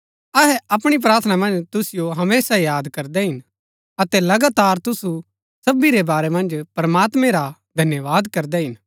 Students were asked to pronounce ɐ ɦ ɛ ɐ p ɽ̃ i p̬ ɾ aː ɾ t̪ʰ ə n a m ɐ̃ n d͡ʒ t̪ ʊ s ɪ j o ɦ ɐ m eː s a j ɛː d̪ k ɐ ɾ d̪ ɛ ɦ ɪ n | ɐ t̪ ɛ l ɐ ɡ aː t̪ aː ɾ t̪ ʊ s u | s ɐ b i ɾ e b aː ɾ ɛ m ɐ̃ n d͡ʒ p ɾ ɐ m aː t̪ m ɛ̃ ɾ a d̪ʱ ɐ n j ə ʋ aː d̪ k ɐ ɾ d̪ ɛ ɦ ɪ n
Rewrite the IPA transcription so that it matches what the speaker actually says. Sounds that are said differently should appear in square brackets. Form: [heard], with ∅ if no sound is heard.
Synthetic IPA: ɐ ɦ ɛ ɐ p ɽ̃ i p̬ ɾ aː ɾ t̪ʰ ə n a m ɐ̃ n d͡ʒ t̪ ʊ s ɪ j o ɦ ɐ m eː s a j [aː] d̪ k ɐ ɾ d̪ ɛ ɦ ɪ n | ɐ t̪ ɛ l ɐ ɡ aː t̪ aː ɾ t̪ ʊ s u | s ɐ b i ɾ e b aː ɾ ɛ m ɐ̃ n d͡ʒ p ɾ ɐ m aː t̪ m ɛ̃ ɾ a d̪ʱ ɐ n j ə ʋ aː d̪ k ɐ ɾ d̪ ɛ ɦ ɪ n